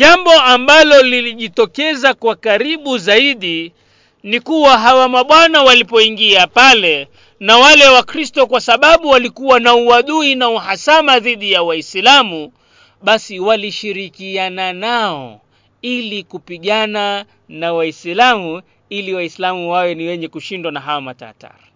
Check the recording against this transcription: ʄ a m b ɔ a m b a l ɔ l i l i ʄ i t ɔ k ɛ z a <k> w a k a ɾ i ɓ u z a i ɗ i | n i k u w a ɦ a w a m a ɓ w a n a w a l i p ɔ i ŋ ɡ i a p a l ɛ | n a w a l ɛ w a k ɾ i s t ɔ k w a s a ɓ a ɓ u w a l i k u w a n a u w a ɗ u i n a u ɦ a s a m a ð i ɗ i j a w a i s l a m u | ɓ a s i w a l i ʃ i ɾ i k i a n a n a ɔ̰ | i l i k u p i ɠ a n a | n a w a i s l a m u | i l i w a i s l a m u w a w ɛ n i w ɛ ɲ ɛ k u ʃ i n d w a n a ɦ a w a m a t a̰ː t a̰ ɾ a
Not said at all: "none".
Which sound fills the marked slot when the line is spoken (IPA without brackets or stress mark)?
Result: k